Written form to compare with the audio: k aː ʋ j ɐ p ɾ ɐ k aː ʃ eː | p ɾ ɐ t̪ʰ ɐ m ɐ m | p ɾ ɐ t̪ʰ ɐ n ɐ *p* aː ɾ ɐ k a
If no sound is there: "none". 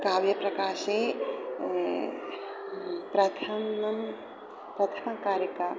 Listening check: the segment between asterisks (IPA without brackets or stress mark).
k